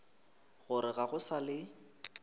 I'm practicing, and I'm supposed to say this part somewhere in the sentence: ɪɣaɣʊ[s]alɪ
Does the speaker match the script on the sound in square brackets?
yes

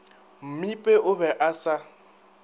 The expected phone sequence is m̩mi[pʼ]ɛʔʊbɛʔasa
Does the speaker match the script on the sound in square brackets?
yes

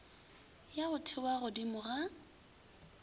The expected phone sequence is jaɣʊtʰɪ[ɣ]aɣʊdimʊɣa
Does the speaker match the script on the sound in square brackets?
no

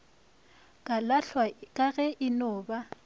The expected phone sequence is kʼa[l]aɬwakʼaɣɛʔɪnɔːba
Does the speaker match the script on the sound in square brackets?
yes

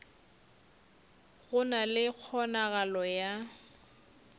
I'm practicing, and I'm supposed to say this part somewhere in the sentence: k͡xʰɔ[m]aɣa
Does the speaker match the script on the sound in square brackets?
no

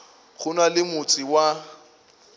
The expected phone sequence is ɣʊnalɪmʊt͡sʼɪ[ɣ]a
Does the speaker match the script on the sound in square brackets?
no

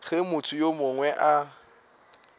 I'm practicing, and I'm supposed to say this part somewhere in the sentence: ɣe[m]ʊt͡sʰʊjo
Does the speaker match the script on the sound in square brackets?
yes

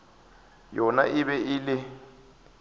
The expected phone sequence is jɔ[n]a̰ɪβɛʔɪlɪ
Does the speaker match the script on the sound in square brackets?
yes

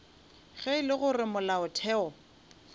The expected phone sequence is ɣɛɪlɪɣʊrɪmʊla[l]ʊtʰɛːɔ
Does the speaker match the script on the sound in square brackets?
no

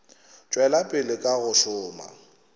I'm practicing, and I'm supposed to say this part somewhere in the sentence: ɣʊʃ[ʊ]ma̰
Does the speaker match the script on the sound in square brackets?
no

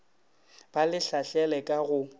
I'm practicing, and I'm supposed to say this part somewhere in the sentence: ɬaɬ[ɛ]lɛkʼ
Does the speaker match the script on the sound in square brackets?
yes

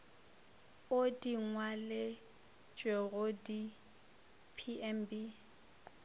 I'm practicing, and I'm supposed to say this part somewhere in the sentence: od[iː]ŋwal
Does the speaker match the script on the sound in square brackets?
no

